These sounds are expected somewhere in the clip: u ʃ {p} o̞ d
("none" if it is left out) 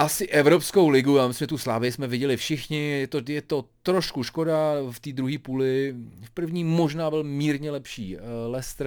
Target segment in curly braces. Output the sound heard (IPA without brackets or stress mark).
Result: k